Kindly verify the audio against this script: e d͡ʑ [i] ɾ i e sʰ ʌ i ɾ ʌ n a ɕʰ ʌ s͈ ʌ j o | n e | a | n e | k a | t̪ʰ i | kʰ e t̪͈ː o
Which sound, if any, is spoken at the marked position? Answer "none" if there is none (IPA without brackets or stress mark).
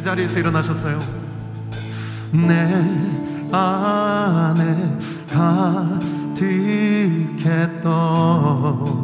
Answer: a